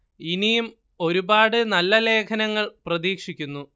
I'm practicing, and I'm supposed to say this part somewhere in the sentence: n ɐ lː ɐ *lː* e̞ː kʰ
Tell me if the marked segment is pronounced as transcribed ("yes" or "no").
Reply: no